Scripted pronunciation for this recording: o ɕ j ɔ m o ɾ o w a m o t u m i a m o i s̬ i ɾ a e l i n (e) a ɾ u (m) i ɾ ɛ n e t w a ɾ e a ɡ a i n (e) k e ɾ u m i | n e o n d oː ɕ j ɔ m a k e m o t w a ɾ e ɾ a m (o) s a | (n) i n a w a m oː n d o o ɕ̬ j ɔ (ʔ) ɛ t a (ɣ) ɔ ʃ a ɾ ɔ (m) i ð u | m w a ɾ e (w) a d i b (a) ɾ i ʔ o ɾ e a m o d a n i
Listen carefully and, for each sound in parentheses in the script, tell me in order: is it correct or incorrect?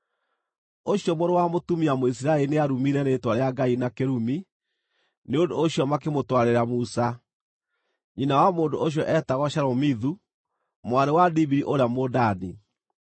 correct, correct, incorrect, incorrect, incorrect, correct, correct, correct, correct, incorrect

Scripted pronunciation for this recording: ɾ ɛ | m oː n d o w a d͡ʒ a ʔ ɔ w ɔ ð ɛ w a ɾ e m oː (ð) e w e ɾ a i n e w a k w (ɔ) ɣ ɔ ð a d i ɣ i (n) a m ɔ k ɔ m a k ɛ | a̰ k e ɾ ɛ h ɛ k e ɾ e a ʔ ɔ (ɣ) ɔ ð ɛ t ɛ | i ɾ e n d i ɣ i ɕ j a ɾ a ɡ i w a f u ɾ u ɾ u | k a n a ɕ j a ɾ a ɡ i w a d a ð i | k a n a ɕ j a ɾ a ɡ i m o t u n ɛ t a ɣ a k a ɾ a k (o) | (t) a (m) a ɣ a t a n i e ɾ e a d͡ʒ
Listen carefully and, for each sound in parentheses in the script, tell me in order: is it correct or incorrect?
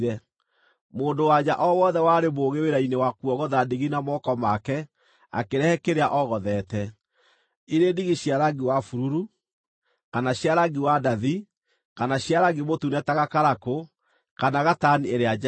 incorrect, correct, correct, correct, correct, incorrect, incorrect

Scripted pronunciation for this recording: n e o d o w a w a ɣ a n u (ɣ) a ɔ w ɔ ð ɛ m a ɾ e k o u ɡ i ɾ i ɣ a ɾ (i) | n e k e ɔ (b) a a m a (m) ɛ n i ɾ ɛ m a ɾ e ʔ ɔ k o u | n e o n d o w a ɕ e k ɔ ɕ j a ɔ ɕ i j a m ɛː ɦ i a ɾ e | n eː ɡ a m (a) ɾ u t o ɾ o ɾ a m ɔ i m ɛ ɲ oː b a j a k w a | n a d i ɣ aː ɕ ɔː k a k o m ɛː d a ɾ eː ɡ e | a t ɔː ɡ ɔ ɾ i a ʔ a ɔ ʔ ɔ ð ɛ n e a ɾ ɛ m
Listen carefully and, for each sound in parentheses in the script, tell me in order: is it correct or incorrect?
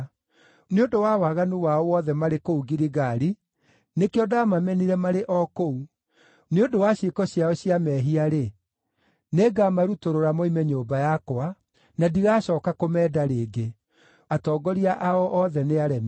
incorrect, correct, incorrect, correct, correct

